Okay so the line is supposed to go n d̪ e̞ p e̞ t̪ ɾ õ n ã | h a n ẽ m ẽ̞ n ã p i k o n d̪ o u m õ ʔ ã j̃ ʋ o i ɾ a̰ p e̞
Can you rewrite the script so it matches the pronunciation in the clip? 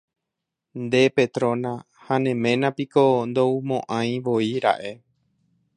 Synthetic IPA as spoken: n d̪ e̞ p e̞ t̪ ɾ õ n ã | h a n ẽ m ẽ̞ n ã p i k o n d̪ o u m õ ʔ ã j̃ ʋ o i ɾ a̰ ʔ e̞